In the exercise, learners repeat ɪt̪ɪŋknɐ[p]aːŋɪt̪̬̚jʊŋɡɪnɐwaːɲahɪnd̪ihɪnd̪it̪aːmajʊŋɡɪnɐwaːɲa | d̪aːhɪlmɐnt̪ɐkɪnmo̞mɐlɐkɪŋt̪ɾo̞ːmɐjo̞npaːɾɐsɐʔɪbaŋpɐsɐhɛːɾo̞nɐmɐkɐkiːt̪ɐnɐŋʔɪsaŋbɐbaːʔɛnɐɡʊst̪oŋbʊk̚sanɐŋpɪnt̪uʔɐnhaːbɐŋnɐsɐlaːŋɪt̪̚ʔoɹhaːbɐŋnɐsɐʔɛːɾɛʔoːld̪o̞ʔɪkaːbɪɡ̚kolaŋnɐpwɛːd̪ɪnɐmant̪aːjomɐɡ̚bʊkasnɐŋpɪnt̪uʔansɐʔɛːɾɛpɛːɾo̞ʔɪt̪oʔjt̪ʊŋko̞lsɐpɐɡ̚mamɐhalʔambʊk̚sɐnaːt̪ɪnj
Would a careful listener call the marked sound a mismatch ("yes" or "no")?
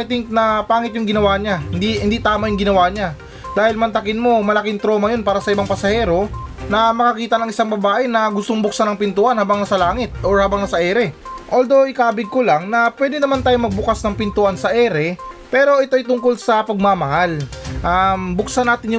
no